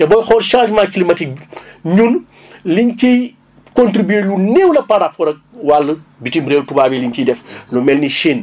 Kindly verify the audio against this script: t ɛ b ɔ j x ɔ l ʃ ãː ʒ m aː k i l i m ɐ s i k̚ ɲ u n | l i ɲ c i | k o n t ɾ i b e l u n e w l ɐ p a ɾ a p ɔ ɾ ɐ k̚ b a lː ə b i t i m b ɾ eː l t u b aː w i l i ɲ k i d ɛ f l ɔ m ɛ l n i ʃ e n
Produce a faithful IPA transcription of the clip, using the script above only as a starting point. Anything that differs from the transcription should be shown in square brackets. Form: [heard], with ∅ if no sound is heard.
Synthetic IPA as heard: t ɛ b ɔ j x ɔ l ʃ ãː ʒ m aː k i l i m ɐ [t] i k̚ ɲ u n | l i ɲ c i | k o n t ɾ i b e l u n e w l ɐ p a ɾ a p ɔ ɾ ɐ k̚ [w] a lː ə b i t i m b ɾ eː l t u b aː [b] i l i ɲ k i d ɛ f l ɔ m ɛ l n i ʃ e n